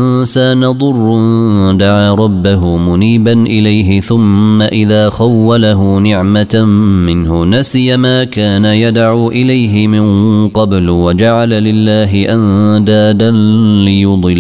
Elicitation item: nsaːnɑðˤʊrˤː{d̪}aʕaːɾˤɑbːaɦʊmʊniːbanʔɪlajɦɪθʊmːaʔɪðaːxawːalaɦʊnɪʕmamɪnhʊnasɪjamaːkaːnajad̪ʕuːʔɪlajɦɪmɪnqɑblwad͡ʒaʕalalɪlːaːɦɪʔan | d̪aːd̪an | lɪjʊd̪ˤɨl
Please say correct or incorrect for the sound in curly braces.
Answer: correct